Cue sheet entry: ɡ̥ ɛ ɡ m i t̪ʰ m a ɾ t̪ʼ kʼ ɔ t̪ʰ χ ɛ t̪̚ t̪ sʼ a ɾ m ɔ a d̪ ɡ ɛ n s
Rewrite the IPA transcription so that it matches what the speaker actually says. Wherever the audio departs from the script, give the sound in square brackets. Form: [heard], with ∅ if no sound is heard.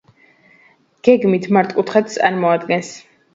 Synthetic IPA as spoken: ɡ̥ ɛ ɡ m i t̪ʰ m a ɾ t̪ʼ kʼ [u] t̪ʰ χ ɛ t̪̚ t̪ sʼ a ɾ m ɔ a d̪ ɡ ɛ n s